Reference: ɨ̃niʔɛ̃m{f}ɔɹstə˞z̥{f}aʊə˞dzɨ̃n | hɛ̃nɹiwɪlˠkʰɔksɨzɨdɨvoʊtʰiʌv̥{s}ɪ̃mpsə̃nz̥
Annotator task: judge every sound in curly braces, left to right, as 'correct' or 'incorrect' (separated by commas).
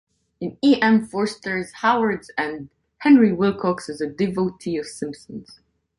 correct, incorrect, correct